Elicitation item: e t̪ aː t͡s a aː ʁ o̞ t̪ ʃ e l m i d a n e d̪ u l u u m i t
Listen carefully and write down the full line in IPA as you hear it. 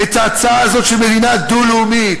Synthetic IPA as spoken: e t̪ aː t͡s a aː z o̞ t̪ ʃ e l m e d i n a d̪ u l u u m i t